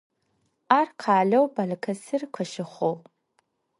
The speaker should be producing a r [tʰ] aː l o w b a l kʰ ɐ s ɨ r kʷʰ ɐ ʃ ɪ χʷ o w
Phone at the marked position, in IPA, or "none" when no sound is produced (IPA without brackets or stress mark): qʰ